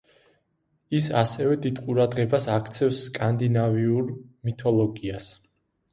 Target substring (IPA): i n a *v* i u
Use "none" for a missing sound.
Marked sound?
v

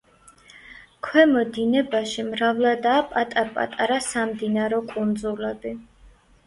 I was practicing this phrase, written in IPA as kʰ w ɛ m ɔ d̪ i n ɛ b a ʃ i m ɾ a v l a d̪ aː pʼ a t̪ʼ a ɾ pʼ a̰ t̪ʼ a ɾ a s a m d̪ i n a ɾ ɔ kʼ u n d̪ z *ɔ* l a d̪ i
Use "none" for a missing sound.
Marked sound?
u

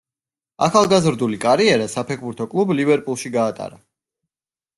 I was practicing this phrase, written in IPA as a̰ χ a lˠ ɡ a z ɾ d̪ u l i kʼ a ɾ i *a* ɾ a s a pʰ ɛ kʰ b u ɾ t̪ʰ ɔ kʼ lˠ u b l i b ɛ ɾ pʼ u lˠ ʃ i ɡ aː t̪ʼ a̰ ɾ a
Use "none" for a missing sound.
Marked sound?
ɛ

